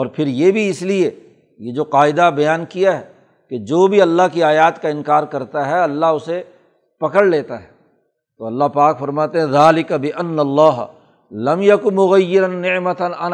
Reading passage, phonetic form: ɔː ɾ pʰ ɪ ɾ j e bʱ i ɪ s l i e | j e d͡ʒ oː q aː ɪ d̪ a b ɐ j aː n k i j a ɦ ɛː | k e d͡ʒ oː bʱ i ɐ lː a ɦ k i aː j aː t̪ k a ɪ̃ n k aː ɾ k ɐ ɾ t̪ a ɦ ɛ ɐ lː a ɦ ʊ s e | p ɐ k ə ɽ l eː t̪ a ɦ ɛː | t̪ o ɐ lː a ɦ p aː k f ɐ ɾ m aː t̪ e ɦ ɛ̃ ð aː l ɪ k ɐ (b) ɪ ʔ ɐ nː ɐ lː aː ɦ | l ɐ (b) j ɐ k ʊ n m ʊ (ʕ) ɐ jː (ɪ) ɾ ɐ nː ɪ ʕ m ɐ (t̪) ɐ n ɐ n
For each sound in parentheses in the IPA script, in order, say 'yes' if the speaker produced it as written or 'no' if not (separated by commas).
yes, no, no, yes, yes